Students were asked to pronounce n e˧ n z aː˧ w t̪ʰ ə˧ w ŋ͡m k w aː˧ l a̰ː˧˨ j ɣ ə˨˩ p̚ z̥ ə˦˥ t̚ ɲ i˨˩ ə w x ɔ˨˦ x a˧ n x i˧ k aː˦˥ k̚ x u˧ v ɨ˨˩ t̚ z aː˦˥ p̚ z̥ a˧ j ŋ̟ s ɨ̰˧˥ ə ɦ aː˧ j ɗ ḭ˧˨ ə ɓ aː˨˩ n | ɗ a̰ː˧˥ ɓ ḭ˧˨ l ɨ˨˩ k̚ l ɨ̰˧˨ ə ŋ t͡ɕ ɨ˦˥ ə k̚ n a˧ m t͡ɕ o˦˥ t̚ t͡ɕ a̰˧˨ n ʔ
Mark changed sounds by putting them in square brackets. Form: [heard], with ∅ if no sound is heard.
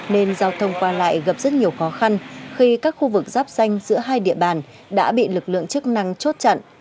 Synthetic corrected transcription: n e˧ n z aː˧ w t̪ʰ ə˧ w ŋ͡m k w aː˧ l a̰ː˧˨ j ɣ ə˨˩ p̚ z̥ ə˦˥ t̚ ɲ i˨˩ ə w x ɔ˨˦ x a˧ n x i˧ k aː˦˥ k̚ x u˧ v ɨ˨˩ [k̚] z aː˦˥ p̚ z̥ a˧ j ŋ̟ [z] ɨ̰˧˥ ə ɦ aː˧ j ɗ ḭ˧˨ ə ɓ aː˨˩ n | ɗ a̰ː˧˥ ɓ ḭ˧˨ l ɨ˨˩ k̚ l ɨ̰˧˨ ə ŋ t͡ɕ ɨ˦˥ ə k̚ n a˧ [ŋ] t͡ɕ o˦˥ t̚ t͡ɕ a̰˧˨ n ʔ